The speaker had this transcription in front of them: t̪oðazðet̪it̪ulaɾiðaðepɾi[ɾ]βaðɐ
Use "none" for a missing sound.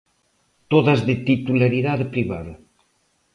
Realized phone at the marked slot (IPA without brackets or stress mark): none